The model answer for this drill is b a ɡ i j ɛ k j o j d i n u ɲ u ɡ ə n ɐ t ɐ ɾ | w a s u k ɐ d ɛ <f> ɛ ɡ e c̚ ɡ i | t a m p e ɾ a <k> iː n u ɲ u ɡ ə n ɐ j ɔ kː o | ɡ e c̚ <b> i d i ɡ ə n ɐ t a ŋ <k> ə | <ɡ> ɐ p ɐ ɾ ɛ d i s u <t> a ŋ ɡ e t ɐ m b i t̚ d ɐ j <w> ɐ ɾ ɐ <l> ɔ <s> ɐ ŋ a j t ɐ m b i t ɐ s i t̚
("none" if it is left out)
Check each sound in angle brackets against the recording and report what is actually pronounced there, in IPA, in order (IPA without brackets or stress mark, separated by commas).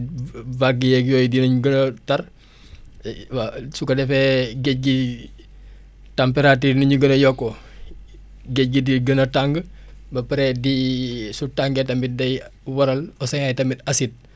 f, t, ɡ, ɡ, b, t, w, l, s